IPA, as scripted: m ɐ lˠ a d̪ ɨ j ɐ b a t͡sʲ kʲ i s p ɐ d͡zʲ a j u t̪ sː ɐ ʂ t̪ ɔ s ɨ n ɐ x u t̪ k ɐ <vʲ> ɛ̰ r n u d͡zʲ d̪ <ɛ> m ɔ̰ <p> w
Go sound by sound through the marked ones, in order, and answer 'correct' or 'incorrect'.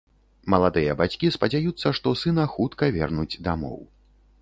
correct, incorrect: a, incorrect: none

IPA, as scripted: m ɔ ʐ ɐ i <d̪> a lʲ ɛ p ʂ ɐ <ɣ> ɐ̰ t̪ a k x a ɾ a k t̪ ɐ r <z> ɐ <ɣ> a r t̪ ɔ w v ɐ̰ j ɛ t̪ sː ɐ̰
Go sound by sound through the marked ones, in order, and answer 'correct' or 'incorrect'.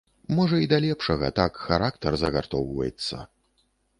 correct, correct, correct, correct

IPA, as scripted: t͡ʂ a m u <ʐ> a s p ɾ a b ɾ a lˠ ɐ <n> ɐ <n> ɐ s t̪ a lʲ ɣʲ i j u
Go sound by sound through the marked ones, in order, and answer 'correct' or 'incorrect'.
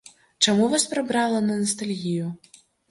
incorrect: v, correct, correct

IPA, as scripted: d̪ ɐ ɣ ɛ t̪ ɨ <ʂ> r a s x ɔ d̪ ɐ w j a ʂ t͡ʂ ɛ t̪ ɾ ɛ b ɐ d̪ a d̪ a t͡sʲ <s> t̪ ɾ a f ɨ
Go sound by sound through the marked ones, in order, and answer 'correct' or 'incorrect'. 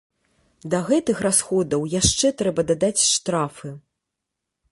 incorrect: x, incorrect: ʂ

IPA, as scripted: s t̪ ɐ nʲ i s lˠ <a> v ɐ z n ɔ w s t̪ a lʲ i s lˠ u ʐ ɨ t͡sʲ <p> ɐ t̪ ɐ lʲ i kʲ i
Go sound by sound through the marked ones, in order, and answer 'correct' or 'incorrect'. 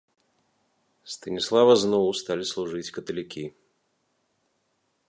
correct, incorrect: k

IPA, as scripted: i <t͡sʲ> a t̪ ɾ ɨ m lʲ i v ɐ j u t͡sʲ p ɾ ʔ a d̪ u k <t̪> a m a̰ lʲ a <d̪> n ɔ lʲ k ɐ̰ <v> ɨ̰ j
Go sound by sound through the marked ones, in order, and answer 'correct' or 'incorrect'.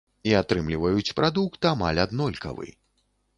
incorrect: none, correct, correct, correct

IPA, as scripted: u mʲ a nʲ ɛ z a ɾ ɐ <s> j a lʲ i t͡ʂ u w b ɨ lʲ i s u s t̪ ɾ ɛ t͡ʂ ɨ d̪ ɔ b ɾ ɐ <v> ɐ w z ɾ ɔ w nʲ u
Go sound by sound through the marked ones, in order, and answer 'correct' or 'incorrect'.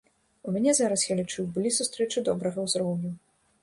correct, incorrect: ɣ

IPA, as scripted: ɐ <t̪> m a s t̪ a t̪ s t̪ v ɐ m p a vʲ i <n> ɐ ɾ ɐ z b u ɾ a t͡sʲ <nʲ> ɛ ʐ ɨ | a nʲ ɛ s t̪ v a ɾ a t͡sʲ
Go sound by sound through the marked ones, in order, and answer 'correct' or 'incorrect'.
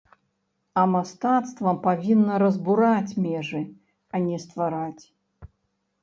incorrect: none, incorrect: nː, incorrect: mʲ

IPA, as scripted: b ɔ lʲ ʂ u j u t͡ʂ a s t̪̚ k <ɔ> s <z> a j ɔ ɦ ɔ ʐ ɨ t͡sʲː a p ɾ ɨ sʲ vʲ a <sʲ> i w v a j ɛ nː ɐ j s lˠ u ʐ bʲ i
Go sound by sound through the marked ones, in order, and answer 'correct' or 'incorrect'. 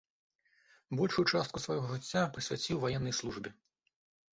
incorrect: u, incorrect: v, incorrect: t͡sʲ

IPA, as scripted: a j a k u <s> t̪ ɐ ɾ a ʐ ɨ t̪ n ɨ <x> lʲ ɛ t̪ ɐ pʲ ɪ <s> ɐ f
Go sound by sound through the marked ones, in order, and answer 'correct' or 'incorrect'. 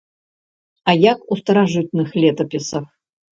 correct, correct, correct

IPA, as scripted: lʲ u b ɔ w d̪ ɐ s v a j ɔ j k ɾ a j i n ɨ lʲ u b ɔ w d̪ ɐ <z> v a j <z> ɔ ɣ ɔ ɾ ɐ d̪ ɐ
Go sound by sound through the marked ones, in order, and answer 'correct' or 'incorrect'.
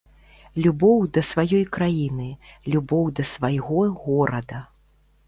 incorrect: s, incorrect: ɣ

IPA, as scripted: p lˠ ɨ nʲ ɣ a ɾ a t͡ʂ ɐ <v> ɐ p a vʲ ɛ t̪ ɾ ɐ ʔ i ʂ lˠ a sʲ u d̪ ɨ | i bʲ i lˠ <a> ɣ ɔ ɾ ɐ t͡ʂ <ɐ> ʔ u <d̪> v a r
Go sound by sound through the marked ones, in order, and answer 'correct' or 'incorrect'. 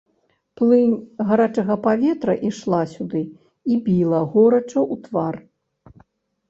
incorrect: ɣ, incorrect: ɐ, correct, incorrect: t̪

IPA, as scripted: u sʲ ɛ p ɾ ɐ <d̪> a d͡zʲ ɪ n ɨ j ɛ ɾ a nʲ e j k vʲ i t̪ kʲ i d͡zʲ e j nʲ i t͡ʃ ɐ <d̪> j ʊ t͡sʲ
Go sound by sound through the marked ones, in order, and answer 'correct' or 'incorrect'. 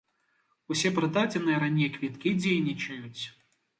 correct, incorrect: none

